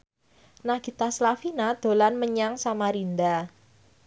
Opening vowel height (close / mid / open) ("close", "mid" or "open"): open